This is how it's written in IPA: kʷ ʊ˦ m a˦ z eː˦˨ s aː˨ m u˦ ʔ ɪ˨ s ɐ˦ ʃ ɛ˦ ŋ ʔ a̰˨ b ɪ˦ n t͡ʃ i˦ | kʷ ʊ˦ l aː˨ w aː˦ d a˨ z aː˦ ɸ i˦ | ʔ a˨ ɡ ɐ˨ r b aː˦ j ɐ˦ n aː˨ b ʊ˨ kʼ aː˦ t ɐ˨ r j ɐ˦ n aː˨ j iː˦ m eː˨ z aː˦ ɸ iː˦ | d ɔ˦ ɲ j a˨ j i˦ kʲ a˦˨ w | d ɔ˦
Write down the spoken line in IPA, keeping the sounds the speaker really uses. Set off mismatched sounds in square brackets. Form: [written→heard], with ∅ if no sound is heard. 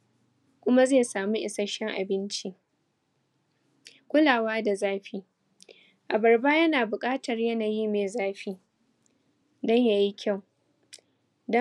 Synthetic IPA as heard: kʷ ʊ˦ m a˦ z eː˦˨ s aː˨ m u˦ ʔ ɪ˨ s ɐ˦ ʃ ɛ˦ ŋ ʔ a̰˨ b ɪ˦ n t͡ʃ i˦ | kʷ ʊ˦ l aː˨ w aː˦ d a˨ z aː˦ ɸ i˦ | ʔ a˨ [ɡ→b] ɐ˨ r b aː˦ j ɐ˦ n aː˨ b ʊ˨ kʼ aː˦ t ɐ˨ r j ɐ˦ n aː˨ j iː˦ m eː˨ z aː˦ ɸ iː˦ | d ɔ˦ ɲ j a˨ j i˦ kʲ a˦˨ w | d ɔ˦